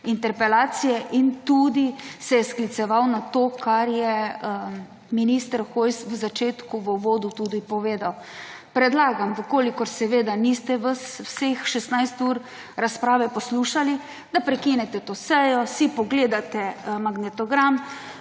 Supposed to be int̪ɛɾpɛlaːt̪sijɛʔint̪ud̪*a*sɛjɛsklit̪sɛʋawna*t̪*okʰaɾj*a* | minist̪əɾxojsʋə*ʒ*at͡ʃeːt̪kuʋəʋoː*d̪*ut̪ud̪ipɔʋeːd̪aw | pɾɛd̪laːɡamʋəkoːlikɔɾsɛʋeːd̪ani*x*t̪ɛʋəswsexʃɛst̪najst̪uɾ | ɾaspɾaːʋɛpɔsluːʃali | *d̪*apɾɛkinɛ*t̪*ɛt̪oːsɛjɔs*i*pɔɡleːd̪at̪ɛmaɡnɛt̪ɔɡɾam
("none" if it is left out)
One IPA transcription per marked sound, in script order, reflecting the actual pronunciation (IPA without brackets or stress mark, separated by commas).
i, t̪, ɛ, z, d̪, s, d̪, t̪, i